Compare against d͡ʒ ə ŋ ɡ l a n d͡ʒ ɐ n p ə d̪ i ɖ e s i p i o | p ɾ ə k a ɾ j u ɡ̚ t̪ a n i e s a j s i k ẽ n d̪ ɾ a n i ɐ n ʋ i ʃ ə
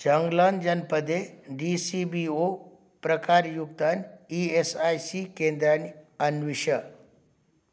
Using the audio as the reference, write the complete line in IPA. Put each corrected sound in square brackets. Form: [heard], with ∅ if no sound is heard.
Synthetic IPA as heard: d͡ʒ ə ŋ ɡ l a n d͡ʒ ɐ n p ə d̪ [e] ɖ [i] s i [b] i o | p ɾ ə k a ɾ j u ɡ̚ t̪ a n i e s a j s i k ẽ n d̪ ɾ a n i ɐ n ʋ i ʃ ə